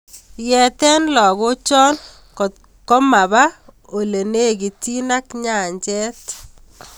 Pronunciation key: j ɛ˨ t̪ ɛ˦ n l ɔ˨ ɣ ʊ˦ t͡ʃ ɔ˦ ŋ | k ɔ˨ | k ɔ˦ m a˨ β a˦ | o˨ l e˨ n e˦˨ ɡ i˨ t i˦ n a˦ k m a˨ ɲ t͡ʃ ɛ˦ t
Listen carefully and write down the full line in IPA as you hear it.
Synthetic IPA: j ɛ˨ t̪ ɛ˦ n l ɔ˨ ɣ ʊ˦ t͡ʃ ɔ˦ n | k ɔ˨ | k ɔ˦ m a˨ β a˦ | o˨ l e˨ n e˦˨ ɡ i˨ t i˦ n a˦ k ɲ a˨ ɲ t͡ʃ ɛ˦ t